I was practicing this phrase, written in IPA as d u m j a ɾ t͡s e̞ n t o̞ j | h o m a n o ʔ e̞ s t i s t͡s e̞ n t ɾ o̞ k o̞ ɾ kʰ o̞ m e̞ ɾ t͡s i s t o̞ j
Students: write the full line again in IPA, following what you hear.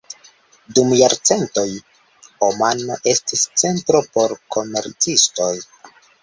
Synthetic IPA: d u m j a ɾ t͡s e̞ n t o̞ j | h o m a n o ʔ e̞ s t i s t͡s e̞ n t ɾ o̞ p o̞ ɾ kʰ o̞ m e̞ ɾ t͡s i s t o̞ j